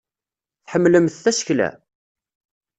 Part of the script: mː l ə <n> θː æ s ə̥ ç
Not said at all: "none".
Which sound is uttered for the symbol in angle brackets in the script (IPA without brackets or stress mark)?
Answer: m